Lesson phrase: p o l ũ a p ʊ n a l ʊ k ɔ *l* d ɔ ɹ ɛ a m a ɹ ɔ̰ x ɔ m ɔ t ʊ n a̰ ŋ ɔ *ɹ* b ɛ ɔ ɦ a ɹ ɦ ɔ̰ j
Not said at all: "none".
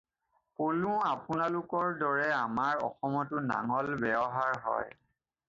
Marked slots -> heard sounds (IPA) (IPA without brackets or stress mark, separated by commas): ɹ, l